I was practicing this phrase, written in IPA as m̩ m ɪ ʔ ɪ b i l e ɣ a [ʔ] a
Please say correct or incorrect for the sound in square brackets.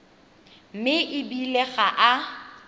correct